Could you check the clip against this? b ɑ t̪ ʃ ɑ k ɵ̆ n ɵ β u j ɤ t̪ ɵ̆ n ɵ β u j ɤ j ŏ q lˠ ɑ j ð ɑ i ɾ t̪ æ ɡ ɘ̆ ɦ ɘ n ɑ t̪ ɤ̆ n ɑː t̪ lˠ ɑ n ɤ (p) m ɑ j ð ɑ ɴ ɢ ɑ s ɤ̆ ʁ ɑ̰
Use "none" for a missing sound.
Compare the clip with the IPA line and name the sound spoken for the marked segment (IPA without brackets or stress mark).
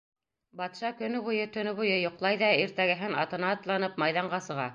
p